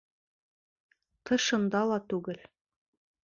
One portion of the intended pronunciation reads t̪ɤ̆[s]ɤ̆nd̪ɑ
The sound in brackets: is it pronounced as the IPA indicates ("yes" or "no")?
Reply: no